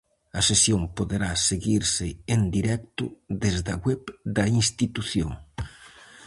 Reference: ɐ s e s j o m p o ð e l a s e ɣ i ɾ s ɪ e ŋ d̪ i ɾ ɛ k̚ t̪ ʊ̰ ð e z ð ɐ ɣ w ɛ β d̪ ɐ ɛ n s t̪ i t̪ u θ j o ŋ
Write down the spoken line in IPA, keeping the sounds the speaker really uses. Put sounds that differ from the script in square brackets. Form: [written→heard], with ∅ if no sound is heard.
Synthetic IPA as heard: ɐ s e s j o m p o ð e [l→ɾ] a s e ɣ i ɾ s ɪ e [ŋ→n] d̪ i ɾ ɛ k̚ t̪ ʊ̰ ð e z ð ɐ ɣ w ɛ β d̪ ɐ [ɛ→i] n s t̪ i t̪ u θ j o ŋ